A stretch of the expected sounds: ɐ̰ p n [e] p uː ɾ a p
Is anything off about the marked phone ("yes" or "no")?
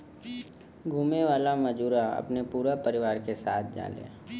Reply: no